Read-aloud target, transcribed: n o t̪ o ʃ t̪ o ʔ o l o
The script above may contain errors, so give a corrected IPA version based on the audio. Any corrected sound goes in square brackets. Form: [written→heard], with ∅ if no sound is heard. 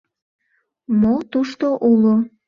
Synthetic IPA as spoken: [n→m] o t̪ [o→u] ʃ t̪ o ʔ [o→u] l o